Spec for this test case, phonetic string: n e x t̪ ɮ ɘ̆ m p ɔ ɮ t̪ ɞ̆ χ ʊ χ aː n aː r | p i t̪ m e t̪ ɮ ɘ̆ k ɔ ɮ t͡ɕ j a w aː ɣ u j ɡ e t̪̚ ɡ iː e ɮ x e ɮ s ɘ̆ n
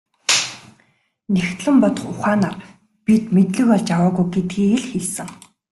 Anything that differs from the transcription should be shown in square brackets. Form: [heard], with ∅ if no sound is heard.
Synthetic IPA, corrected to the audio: n e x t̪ ɮ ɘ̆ m p ɔ [∅] t̪ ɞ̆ χ ʊ χ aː n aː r | p i t̪ m e t̪ ɮ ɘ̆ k ɔ ɮ t͡ɕ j a w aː ɣ u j ɡ e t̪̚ ɡ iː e ɮ x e ɮ s ɘ̆ [ŋ]